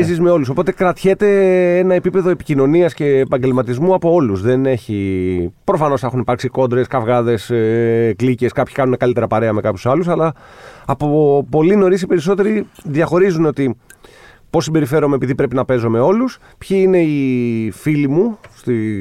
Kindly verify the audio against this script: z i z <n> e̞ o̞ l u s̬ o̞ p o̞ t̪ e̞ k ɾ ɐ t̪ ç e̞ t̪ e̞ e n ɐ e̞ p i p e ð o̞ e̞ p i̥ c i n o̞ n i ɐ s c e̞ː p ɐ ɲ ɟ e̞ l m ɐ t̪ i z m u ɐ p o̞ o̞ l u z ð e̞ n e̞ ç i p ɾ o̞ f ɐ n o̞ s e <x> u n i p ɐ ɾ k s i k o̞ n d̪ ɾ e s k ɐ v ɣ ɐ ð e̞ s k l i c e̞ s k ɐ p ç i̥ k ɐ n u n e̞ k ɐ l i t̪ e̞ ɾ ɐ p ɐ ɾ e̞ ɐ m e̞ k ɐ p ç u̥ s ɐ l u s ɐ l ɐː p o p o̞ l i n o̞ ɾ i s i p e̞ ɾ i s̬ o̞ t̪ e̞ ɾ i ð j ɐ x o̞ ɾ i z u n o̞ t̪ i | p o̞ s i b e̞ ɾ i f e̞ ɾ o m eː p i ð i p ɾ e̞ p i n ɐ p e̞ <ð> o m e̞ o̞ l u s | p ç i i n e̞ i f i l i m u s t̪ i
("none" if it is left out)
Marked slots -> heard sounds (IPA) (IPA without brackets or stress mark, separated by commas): m, x, z